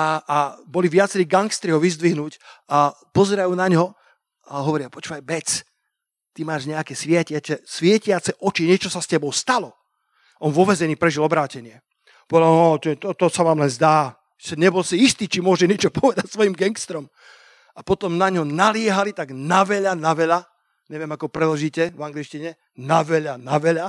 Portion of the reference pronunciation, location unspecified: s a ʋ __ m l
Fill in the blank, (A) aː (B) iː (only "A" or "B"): A